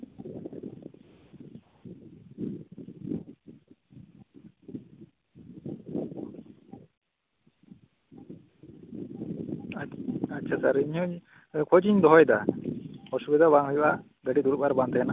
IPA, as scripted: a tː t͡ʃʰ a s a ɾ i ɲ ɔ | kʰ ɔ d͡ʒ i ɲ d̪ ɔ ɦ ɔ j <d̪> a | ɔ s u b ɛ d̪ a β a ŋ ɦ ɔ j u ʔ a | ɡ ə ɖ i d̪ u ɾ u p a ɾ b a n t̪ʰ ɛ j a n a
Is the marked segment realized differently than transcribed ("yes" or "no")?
no